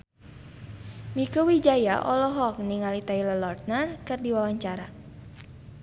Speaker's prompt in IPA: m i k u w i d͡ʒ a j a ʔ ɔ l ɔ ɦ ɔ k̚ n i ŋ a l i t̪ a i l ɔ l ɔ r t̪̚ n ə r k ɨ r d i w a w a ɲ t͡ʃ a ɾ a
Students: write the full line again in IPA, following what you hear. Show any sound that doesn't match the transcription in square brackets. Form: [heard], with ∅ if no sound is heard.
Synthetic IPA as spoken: m i k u w i d͡ʒ a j a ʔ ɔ l ɔ ɦ ɔ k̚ n i ŋ a l i t̪ a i l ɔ l ɔ r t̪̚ n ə r k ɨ r d i w a w a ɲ t͡ʃ a ɾ a